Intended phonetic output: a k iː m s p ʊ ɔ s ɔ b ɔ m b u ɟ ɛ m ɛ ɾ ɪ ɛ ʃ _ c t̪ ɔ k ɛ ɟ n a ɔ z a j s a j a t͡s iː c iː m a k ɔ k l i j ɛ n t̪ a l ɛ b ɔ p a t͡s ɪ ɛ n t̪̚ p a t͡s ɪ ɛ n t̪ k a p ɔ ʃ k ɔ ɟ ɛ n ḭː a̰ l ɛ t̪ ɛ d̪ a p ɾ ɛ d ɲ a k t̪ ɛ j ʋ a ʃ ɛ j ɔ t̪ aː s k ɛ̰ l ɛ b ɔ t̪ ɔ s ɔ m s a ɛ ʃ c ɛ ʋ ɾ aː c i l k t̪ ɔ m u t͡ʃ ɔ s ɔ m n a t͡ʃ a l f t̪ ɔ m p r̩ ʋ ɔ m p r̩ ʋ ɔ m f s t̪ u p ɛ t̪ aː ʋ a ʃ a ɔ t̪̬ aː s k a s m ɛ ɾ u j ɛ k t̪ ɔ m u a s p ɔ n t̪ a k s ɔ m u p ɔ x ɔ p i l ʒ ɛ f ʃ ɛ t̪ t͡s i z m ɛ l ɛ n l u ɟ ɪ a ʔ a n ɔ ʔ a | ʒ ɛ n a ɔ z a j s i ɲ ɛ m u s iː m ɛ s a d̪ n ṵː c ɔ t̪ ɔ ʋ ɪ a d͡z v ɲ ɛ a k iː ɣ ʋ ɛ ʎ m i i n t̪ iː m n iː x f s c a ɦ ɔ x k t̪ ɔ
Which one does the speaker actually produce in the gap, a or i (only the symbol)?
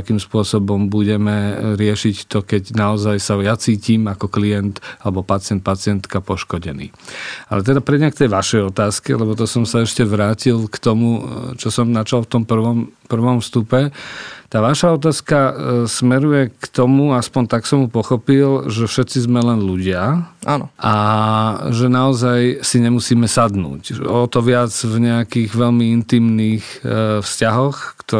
i